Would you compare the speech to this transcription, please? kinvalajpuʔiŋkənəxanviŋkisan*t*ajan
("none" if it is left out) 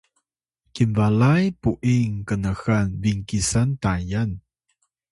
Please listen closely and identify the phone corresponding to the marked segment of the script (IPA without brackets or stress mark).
t